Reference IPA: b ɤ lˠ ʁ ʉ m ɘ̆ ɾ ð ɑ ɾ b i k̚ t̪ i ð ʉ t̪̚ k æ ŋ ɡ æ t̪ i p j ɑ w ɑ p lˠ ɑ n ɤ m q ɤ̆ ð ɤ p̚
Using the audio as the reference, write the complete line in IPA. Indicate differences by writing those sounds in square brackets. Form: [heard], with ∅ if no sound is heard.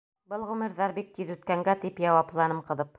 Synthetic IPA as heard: b ɤ lˠ ʁ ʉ m ɘ̆ ɾ ð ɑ ɾ b i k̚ t̪ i ð ʉ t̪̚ k æ ŋ ɡ æ t̪ i p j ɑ w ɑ p lˠ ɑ n ɤ m q ɤ̆ ð ɤ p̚